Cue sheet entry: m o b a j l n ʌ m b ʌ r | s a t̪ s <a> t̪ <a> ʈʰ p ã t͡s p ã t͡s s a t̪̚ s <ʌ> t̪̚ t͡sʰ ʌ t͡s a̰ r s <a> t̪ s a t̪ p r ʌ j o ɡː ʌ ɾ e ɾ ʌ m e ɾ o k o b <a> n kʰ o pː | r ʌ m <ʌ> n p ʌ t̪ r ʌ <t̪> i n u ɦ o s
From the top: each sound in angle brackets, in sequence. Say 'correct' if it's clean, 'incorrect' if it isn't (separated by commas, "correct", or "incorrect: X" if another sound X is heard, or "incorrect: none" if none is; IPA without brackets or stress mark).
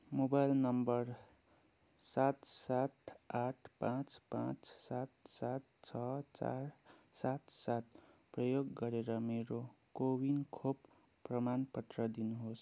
correct, correct, incorrect: a, correct, incorrect: i, incorrect: a, incorrect: d̪